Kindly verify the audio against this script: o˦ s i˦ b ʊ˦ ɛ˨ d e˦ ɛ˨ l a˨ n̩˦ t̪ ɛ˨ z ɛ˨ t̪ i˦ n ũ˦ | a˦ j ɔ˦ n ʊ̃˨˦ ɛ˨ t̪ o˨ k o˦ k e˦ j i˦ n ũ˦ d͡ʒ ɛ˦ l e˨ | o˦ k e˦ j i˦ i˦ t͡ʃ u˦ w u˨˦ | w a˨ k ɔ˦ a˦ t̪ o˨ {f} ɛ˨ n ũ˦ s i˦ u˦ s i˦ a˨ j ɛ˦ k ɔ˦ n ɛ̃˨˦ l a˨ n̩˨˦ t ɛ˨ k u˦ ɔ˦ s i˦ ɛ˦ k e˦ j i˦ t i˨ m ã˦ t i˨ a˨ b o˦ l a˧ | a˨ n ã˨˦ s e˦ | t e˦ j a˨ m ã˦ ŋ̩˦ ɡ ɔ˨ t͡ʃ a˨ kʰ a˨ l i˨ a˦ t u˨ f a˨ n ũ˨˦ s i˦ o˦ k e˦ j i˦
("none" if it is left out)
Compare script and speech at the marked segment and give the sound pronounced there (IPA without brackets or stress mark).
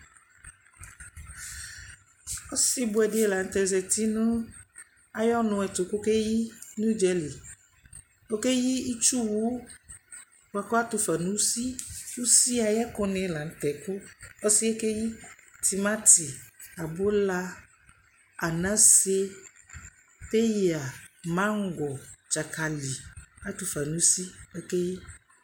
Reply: f